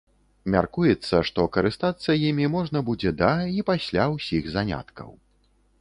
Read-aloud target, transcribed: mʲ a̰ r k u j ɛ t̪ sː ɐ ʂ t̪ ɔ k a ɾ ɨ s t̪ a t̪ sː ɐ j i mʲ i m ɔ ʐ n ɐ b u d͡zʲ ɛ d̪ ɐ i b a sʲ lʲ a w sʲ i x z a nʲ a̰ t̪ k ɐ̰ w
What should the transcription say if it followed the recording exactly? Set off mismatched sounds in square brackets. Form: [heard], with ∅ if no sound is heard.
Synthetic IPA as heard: mʲ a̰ r k u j ɛ t̪ sː ɐ ʂ t̪ ɔ k [ɐ] ɾ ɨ s t̪ a t̪ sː ɐ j i mʲ i m ɔ ʐ n ɐ b u d͡zʲ ɛ d̪ ɐ i [p] a sʲ lʲ a w sʲ i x z a nʲ a̰ t̪ k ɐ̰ w